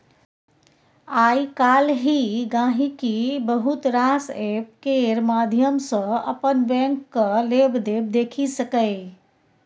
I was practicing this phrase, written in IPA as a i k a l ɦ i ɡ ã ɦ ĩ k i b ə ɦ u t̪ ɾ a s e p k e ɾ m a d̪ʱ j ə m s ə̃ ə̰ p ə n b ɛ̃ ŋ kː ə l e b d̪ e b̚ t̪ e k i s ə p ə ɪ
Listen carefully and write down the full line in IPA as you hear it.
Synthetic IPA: a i k a l ɦ i ɡ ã ɦ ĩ k i b ə ɦ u t̪ ɾ a s e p k e ɾ m a d̪ʱ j ə m s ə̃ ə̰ p ə n b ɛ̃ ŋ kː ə l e b d̪ e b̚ d̪ e kʰ i s ə k ə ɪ